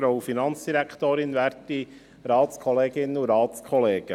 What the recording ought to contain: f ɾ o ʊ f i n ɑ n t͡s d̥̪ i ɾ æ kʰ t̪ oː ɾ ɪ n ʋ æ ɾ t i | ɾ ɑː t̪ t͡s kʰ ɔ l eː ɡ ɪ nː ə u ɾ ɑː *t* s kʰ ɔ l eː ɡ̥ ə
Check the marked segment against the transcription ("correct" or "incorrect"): correct